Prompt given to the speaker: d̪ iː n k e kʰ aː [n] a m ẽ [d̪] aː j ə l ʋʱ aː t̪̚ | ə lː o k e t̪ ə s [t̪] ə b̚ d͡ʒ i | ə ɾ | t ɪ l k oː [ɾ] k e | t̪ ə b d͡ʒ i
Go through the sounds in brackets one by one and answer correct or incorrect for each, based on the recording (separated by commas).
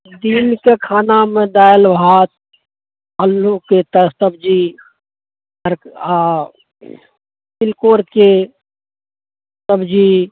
correct, correct, correct, correct